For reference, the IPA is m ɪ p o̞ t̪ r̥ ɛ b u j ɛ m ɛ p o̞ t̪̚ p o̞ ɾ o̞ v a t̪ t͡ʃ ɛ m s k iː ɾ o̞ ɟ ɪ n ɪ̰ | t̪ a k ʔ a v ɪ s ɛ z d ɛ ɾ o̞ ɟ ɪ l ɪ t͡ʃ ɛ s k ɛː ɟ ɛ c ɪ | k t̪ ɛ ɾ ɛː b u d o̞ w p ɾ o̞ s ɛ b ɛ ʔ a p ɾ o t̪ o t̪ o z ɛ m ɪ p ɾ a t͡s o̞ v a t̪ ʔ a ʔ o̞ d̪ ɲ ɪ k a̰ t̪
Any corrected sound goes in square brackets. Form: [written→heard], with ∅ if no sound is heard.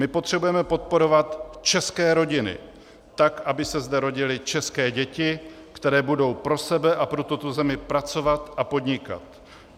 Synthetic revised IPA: m ɪ p o̞ t̪ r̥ ɛ b u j ɛ m ɛ p o̞ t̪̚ p o̞ ɾ o̞ v a t̪ t͡ʃ ɛ [m→∅] s k [iː→ɛː] ɾ o̞ ɟ ɪ n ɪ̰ | t̪ a k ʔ a [v→b] ɪ s ɛ z d ɛ ɾ o̞ ɟ ɪ l ɪ t͡ʃ ɛ s k ɛː ɟ ɛ c ɪ | k t̪ ɛ ɾ ɛː b u d o̞ w p ɾ o̞ s ɛ b ɛ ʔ a p ɾ o t̪ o t̪ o z ɛ m ɪ p ɾ a t͡s o̞ v a t̪ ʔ a [ʔ→p] o̞ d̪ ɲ ɪ k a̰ t̪